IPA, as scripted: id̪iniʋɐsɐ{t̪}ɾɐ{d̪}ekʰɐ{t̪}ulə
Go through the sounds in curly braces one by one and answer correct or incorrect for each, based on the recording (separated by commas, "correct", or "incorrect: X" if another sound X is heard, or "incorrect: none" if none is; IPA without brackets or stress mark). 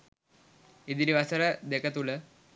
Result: incorrect: none, correct, correct